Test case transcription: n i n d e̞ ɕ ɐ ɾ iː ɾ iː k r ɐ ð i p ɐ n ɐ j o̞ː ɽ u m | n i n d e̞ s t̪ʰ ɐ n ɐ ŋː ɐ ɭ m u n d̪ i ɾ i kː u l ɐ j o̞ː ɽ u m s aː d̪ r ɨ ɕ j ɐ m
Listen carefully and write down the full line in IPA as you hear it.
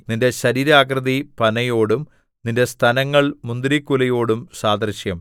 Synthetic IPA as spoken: n i n d e̞ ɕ ɐ ɾ iː ɾ aː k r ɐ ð i p ɐ n ɐ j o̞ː ɽ u m | n i n d e̞ s t̪ʰ ɐ n ɐ ŋː ɐ ɭ m u n d̪ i ɾ i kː u l ɐ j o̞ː ɽ u m s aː d̪ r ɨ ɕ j ɐ m